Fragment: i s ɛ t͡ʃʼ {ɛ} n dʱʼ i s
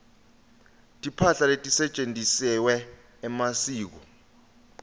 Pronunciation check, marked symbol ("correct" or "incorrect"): incorrect